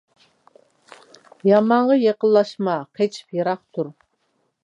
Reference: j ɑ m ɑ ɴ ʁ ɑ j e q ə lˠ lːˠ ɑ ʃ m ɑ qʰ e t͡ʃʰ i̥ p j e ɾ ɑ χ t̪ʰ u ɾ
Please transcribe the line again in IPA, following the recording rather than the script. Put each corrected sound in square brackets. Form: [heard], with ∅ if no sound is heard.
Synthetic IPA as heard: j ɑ m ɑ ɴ ʁ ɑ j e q ə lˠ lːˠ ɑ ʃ m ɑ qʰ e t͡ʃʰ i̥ p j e ɾ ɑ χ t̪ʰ u ɾ